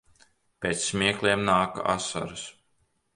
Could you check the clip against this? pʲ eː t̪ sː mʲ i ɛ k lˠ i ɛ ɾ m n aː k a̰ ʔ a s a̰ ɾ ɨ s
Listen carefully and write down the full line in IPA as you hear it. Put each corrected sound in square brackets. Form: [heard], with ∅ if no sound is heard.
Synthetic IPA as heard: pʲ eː t̪ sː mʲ i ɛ k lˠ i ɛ [∅] m n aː k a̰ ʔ a s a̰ ɾ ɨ s